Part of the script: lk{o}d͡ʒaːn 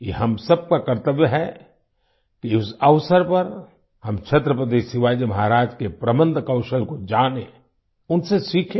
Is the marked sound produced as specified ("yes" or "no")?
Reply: yes